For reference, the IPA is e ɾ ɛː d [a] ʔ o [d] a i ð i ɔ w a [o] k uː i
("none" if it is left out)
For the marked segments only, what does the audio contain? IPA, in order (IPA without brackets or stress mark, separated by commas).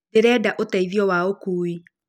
a, t, o